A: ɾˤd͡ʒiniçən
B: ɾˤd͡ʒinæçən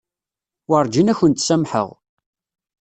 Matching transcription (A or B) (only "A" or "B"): B